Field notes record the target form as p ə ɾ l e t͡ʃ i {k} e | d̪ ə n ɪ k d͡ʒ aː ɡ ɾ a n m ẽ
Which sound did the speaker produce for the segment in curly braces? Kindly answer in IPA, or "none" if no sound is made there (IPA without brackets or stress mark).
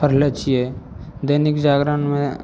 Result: none